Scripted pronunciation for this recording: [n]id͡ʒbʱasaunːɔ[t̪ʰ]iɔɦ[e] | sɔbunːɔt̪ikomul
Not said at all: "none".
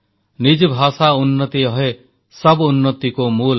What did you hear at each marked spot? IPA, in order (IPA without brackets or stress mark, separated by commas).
n, t̪, e